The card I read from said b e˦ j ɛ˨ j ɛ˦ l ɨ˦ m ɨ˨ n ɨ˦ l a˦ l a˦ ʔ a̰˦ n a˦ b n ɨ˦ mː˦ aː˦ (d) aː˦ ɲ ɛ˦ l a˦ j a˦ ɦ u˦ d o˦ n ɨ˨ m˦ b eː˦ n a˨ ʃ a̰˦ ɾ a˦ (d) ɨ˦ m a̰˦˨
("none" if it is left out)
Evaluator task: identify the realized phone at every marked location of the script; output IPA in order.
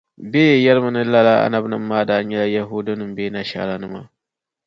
d, n

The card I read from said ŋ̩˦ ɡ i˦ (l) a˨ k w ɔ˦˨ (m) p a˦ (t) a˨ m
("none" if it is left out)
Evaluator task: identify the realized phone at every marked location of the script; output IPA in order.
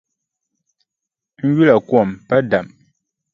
l, m, d

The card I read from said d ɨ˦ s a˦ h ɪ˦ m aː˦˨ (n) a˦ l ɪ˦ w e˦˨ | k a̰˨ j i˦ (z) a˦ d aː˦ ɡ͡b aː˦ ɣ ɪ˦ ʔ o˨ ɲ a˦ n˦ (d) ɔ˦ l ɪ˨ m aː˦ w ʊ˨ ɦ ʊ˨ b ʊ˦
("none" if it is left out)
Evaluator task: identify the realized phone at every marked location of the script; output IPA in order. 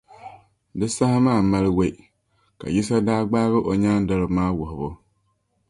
m, s, d

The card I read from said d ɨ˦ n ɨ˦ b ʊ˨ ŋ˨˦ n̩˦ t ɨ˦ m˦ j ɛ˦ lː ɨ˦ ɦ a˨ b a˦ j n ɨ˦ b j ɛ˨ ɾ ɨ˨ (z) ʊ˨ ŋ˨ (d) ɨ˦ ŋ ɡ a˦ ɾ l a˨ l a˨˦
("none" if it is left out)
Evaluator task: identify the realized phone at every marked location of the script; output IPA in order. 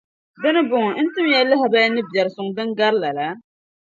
s, d

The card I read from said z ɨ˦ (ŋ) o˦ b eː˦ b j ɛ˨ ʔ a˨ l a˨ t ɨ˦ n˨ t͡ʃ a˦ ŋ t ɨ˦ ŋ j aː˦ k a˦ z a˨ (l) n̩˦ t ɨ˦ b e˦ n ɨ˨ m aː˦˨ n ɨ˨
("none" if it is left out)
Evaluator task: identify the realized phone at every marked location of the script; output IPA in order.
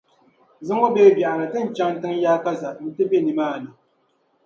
ŋ, none

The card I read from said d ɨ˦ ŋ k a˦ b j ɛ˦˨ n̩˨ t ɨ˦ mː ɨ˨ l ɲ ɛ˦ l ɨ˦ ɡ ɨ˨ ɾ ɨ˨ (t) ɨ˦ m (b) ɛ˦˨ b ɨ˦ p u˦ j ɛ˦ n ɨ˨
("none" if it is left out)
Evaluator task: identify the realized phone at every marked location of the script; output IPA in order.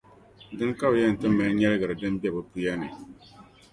d, b

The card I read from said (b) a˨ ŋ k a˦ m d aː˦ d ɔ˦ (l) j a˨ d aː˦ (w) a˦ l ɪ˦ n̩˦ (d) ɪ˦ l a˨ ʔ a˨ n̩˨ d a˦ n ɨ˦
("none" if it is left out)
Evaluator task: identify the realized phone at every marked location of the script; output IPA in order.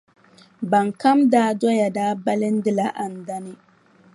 b, none, b, d

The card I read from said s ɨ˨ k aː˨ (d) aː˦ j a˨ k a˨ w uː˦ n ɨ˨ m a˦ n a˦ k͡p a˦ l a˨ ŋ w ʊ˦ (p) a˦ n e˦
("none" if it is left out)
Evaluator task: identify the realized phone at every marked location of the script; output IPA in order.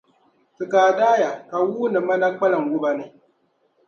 d, b

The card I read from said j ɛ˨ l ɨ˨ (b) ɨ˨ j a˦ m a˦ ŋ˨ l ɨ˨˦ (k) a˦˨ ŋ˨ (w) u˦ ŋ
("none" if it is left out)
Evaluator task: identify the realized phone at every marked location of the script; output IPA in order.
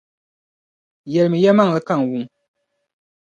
m, k, w

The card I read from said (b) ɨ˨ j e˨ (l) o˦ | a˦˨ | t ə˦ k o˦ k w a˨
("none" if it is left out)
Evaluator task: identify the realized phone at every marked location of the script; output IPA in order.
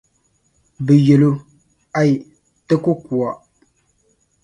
b, l

